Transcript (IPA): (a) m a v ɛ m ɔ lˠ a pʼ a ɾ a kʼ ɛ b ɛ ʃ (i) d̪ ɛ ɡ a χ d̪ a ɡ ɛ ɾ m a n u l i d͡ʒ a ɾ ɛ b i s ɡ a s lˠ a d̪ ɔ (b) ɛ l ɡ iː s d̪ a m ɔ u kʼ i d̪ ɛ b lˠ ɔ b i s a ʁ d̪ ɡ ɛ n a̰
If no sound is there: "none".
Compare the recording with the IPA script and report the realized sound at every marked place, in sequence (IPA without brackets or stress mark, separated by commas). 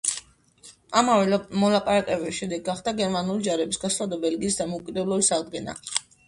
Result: a, ɛ, b